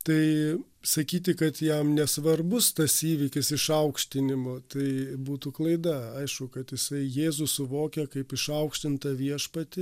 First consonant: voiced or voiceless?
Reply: voiceless